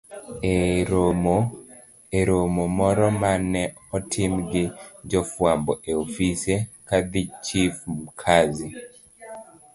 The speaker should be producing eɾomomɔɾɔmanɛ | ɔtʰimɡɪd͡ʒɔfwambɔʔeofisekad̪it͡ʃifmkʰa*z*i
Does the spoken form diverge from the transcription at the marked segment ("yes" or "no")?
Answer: no